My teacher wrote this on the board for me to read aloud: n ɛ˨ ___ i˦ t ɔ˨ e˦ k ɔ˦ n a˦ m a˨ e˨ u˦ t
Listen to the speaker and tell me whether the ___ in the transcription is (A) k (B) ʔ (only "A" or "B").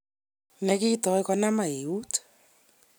A